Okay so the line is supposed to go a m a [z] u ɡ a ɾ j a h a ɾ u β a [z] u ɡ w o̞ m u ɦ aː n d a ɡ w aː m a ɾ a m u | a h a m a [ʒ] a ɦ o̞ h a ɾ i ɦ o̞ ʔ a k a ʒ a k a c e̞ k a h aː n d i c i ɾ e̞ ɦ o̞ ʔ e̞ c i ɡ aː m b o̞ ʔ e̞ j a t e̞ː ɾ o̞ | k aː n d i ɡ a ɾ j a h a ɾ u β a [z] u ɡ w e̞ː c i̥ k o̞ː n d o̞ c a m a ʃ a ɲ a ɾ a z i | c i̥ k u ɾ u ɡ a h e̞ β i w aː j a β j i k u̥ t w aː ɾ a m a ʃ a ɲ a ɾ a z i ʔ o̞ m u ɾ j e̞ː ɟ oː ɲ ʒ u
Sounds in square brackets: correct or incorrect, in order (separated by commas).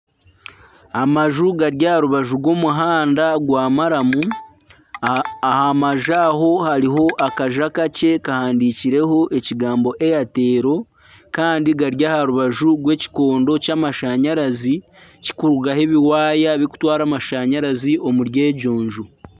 incorrect, incorrect, correct, incorrect